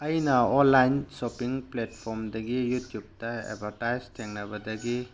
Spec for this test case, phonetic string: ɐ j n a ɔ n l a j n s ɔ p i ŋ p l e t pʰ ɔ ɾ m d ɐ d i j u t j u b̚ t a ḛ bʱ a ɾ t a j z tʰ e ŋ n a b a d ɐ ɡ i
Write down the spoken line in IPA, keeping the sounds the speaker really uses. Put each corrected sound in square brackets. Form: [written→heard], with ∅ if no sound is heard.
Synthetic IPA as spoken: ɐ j n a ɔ n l a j n s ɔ p i ŋ p l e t pʰ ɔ ɾ m d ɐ [d→ɡ] i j u t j u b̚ t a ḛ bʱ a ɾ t a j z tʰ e ŋ n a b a d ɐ ɡ i